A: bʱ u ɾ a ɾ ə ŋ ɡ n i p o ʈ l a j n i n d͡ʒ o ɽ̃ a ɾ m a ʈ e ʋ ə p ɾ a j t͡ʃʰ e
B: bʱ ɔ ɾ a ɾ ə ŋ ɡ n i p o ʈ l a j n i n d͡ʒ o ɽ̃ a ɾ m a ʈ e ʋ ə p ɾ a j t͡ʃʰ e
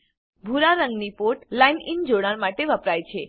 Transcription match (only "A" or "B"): A